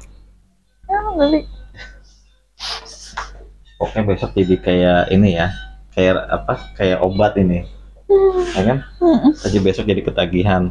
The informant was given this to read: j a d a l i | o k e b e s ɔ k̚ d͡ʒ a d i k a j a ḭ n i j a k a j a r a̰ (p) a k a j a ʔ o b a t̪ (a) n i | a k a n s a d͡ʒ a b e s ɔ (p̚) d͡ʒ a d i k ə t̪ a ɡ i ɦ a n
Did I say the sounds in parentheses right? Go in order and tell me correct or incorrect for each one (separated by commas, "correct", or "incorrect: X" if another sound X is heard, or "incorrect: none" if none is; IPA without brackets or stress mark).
correct, incorrect: i, incorrect: k̚